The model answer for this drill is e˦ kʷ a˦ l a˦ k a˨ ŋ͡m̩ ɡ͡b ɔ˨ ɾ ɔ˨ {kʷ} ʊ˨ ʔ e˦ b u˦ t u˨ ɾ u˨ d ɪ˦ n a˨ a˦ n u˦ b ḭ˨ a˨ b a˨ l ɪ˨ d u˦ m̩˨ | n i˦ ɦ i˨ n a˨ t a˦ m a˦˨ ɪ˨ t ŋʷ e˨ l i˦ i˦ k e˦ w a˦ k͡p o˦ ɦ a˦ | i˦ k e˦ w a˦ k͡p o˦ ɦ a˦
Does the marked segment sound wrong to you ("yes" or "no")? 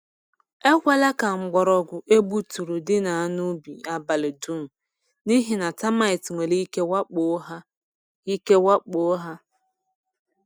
yes